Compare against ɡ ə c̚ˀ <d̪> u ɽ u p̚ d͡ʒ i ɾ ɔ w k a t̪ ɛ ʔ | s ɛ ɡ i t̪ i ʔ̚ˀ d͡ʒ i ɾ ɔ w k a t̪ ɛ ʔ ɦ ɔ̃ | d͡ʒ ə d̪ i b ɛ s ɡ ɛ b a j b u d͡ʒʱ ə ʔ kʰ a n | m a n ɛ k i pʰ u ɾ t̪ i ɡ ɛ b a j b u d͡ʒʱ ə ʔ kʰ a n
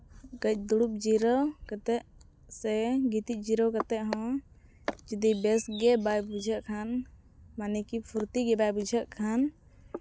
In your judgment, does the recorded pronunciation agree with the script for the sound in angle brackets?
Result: yes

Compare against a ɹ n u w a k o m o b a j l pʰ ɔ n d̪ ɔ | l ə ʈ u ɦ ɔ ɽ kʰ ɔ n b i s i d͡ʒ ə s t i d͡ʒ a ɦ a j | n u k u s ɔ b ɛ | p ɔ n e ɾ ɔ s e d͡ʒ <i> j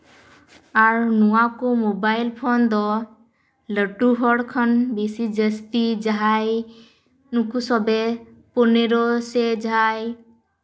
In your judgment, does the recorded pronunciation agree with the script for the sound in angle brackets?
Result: no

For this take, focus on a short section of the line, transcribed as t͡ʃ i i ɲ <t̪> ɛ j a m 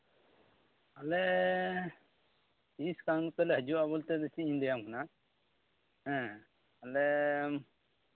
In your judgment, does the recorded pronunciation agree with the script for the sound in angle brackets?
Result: no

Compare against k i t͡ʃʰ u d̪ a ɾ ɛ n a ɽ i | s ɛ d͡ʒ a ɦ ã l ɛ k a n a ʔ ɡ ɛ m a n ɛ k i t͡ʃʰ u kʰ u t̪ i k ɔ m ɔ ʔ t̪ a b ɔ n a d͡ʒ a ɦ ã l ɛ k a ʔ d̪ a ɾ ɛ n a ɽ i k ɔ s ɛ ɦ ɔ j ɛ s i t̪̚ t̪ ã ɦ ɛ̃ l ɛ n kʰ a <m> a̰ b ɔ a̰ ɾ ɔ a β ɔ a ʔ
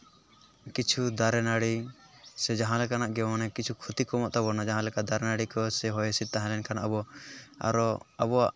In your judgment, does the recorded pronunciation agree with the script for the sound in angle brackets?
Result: no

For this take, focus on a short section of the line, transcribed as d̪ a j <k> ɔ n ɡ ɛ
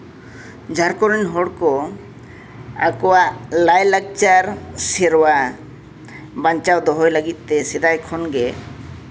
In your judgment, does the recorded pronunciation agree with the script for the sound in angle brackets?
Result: no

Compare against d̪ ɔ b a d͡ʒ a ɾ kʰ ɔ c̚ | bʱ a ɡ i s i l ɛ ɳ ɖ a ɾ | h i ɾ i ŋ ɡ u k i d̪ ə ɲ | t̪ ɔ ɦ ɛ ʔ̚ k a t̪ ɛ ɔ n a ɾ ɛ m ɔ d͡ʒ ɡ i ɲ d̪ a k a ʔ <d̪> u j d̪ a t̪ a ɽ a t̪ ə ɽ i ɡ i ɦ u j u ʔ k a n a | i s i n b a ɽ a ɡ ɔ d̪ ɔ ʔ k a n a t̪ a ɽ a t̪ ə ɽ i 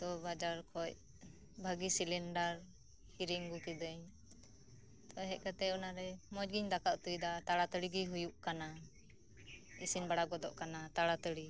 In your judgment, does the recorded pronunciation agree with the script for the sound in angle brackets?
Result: no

